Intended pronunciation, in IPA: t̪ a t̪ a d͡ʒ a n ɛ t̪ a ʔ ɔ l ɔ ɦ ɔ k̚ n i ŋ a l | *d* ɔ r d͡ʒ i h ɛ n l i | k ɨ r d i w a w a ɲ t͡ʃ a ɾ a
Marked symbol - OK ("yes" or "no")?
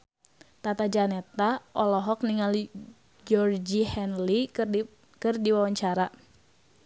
no